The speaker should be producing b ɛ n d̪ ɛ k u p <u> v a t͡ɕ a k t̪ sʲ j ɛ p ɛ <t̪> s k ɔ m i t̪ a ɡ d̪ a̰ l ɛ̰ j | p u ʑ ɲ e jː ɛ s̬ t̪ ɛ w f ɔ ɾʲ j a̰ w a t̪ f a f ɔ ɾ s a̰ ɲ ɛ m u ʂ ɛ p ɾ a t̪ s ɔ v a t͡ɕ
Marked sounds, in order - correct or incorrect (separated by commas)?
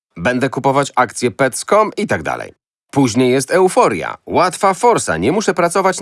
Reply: incorrect, correct